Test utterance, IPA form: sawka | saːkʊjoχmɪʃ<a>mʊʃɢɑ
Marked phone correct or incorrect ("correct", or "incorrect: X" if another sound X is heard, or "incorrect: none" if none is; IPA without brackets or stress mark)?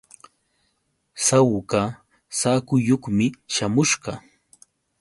correct